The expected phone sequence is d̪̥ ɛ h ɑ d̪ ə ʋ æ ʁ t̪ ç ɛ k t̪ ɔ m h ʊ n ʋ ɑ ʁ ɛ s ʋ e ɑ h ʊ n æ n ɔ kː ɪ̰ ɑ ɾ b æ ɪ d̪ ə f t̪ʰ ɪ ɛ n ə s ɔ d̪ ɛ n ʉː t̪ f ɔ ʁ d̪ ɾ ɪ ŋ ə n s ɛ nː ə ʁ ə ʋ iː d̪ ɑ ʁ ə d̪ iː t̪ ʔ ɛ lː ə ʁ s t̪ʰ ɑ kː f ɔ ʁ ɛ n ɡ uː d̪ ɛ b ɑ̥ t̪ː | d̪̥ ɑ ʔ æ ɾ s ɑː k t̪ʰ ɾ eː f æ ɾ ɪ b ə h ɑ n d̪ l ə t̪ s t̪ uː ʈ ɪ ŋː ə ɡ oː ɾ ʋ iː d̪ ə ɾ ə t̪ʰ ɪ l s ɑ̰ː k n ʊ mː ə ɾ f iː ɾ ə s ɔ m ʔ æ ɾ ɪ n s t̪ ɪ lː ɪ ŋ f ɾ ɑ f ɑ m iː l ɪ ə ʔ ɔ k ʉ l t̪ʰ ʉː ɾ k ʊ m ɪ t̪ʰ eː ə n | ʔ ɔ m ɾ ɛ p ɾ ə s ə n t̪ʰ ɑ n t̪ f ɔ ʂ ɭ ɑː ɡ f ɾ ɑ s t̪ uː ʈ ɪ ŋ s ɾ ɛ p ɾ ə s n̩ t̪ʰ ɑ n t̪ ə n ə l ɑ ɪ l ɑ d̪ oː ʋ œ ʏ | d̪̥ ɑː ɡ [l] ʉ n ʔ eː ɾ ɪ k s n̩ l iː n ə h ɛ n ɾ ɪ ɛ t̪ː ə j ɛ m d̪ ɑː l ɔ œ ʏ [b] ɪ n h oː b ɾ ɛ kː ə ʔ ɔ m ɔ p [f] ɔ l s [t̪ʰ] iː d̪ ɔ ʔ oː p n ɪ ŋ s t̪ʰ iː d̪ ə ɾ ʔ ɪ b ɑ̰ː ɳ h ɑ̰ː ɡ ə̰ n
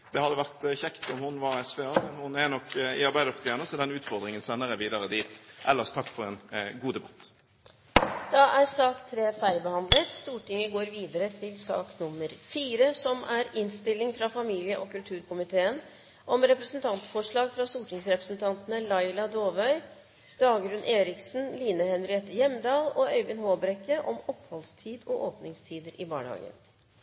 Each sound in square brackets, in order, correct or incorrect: incorrect, correct, incorrect, correct

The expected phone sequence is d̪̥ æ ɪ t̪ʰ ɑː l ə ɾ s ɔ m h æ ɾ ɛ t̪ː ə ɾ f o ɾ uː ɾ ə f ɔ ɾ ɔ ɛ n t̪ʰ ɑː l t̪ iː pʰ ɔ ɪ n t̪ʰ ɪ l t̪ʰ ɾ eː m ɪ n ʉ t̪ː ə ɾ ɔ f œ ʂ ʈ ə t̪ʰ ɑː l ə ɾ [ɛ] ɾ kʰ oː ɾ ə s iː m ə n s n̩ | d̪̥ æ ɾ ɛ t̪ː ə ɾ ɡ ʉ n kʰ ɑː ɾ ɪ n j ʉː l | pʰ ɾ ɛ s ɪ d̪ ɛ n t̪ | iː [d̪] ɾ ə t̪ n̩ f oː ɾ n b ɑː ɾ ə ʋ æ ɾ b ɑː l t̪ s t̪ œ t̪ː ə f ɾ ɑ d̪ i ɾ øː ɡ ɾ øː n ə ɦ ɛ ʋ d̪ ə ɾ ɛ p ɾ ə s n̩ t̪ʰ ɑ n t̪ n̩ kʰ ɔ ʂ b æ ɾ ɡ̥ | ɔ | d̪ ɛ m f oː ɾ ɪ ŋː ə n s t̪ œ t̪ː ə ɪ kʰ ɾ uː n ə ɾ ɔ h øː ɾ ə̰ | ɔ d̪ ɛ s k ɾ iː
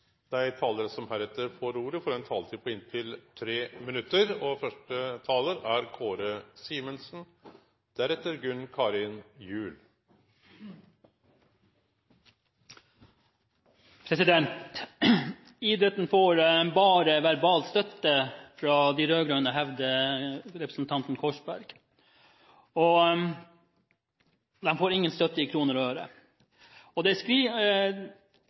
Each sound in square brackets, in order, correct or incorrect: incorrect, correct

